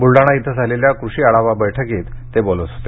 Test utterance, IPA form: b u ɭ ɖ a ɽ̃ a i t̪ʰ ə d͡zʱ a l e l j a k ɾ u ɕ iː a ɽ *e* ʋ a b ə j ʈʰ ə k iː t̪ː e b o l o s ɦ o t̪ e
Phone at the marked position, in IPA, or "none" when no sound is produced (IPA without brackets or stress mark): a